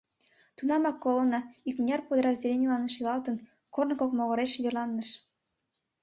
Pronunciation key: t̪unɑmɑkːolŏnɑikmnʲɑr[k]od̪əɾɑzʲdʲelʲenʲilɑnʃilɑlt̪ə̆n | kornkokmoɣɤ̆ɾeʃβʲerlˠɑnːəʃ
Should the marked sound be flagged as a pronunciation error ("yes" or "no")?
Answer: yes